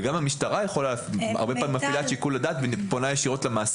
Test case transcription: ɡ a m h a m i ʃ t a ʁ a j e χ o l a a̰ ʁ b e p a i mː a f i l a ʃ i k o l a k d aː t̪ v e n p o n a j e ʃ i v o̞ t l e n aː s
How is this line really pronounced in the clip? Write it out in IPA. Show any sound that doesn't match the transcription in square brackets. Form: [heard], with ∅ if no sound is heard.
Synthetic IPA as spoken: ɡ a m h a m i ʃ t a ʁ a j e χ o l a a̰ ʁ b e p a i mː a f i l a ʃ i k [u] l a [∅] d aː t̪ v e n p o n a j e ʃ i [ʁ] o̞ t l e [m] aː s